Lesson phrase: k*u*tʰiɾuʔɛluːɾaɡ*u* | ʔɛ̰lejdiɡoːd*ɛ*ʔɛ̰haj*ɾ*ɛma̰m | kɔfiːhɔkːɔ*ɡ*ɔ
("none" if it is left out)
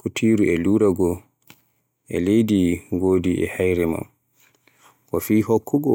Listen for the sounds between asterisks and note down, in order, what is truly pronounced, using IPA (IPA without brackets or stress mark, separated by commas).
u, ɔ, i, ɾ, ɡ